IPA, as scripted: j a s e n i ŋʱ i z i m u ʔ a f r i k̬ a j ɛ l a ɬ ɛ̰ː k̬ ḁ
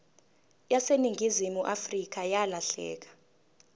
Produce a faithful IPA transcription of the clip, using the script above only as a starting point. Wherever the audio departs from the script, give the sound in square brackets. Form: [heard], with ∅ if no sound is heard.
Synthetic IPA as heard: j a s e n i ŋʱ i z i m u ʔ a f r i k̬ a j [a] l a ɬ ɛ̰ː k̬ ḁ